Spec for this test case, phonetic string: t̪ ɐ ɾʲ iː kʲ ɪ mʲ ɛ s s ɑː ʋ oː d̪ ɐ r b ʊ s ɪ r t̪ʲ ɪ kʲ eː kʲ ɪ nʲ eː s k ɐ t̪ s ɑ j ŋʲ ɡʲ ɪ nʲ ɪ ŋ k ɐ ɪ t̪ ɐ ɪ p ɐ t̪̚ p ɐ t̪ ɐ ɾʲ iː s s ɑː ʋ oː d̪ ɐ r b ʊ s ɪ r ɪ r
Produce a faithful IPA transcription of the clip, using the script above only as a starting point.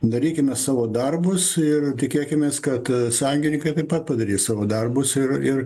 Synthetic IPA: d̪ ɐ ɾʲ iː kʲ ɪ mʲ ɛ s s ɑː ʋ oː d̪ ɐ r b ʊ s ɪ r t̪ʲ ɪ kʲ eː kʲ ɪ mʲ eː s k ɐ t̪ s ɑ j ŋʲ ɡʲ ɪ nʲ ɪ ŋ k ɐ ɪ t̪ ɐ ɪ p ɐ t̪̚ p ɐ d̪ ɐ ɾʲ iː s s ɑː ʋ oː d̪ ɐ r b ʊ s ɪ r ɪ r